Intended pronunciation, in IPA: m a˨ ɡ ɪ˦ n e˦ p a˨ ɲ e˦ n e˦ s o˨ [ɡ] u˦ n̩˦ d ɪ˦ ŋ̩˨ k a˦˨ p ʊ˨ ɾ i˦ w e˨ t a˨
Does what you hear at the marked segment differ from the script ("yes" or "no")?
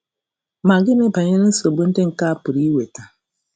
yes